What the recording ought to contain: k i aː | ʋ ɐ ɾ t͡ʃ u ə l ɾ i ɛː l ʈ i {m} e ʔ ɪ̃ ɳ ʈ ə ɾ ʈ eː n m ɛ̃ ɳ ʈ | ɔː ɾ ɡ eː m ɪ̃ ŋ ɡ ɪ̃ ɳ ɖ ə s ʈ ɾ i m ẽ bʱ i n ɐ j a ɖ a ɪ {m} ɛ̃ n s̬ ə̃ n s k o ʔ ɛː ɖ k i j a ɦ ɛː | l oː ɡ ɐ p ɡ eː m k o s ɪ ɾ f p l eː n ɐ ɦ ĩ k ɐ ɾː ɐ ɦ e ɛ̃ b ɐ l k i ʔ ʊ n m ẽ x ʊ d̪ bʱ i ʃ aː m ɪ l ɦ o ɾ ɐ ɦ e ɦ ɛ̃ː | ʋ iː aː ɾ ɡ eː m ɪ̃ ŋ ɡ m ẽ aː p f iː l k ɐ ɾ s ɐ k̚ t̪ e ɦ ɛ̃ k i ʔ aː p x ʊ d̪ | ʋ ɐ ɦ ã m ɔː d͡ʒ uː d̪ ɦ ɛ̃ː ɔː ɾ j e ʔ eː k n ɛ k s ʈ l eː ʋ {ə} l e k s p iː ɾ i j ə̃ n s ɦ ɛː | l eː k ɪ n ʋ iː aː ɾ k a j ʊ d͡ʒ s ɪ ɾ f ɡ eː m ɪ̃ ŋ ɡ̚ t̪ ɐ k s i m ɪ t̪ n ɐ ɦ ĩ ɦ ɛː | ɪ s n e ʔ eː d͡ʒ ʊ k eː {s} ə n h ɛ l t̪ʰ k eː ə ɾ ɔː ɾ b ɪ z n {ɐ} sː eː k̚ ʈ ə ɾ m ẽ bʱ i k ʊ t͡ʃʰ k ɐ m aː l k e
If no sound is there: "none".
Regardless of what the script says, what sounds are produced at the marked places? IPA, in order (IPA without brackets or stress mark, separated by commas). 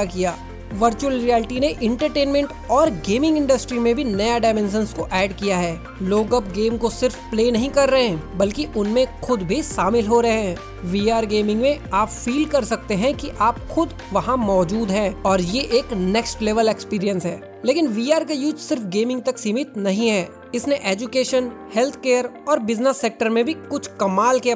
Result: n, m, ə, ʃ, ə